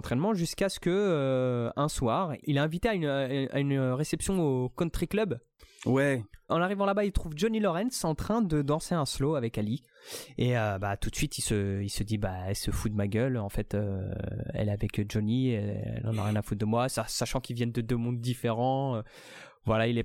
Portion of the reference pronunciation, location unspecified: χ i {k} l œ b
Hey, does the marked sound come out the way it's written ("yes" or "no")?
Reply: yes